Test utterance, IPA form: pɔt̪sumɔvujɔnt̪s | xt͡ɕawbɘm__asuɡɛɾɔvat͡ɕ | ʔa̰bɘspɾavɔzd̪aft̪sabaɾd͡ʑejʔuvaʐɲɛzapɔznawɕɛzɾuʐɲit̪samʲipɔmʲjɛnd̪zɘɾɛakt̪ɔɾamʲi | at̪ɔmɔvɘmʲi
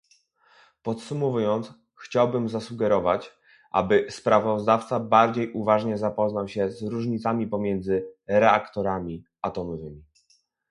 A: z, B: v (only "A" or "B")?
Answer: A